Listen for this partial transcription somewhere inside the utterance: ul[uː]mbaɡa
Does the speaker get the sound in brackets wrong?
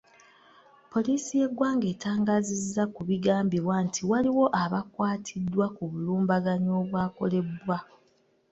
no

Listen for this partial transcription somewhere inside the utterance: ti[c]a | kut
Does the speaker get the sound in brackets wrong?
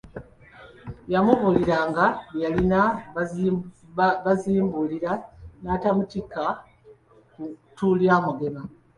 yes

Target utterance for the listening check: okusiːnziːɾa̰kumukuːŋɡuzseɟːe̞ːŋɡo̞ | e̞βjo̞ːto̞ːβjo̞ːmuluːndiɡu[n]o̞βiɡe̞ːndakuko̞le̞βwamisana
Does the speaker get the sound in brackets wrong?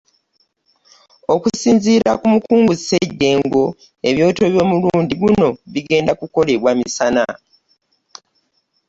no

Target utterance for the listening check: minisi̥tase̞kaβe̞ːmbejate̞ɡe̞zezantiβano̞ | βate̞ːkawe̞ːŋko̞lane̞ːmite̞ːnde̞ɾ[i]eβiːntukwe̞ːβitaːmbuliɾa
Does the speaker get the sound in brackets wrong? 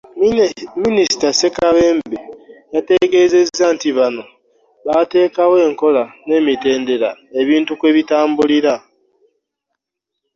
yes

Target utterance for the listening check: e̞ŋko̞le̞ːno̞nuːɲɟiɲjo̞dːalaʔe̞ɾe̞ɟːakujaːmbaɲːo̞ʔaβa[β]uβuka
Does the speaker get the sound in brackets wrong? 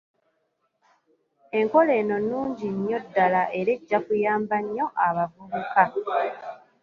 yes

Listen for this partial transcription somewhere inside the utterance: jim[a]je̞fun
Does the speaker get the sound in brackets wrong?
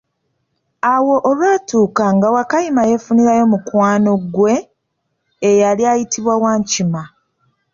no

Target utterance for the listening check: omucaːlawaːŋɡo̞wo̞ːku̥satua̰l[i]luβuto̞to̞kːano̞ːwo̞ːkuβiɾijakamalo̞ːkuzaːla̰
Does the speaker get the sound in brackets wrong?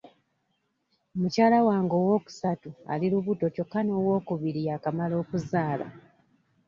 no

